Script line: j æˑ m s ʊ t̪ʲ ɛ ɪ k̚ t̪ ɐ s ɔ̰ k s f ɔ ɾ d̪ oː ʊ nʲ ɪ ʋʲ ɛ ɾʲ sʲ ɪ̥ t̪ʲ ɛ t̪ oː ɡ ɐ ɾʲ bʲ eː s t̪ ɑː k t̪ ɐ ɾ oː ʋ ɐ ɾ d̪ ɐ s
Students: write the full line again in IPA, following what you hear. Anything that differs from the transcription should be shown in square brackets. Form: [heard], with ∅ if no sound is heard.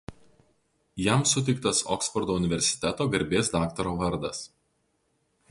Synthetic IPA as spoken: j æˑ m s ʊ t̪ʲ ɛ ɪ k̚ t̪ ɐ s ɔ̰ k s f ɔ ɾ d̪ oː ʊ nʲ ɪ ʋʲ ɛ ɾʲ sʲ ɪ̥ t̪ʲ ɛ t̪ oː ɡ ɐ ɾʲ bʲ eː s [d̪] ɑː k t̪ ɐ ɾ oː ʋ ɐ ɾ d̪ ɐ s